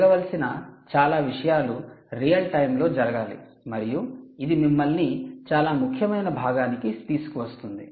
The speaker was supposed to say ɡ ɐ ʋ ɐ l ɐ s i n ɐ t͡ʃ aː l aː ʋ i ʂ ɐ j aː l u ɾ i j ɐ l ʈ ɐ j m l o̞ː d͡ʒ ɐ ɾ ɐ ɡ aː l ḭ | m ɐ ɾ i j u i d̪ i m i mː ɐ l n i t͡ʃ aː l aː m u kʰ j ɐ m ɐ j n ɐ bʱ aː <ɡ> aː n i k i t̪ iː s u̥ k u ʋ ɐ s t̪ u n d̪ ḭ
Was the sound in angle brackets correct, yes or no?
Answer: yes